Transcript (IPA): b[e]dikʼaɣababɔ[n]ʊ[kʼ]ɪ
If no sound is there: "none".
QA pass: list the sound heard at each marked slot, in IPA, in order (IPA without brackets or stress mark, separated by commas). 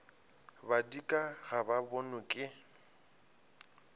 a, n, kʼ